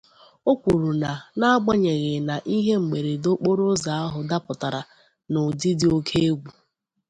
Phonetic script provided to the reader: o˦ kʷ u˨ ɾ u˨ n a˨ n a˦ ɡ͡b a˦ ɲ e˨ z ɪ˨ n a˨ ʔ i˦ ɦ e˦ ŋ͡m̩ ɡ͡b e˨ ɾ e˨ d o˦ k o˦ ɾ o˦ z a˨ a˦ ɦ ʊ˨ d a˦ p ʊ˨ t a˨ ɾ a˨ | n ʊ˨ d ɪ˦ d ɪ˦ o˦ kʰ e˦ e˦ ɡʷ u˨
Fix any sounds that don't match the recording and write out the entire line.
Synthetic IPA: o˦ kʷ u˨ ɾ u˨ n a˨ n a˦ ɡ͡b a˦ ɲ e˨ ɣ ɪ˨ n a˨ ʔ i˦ ɦ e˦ ŋ͡m̩ ɡ͡b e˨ ɾ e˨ d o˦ k͡p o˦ ɾ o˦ z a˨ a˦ ɦ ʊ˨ d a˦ p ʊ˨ t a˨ ɾ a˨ | n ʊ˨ d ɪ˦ d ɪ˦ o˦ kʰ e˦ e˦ ɡʷ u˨